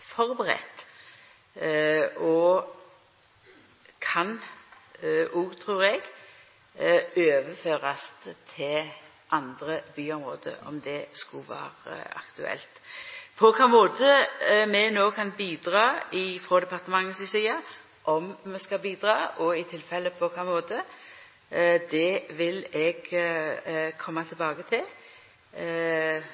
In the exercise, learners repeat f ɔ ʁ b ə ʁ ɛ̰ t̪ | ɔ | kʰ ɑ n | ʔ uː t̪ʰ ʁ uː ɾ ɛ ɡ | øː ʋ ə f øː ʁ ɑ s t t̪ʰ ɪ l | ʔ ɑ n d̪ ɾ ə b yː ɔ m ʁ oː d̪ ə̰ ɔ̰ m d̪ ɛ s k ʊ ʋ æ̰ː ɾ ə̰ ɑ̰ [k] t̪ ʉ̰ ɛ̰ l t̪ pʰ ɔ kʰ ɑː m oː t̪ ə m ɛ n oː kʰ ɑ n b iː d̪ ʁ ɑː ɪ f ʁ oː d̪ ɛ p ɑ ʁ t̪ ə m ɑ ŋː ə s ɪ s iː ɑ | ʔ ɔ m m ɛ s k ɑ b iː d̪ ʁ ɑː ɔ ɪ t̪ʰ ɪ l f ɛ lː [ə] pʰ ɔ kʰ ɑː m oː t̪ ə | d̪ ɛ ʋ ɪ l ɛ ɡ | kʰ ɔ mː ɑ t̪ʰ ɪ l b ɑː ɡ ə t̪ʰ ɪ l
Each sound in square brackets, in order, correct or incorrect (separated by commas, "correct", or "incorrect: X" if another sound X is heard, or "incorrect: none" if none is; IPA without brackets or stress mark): correct, correct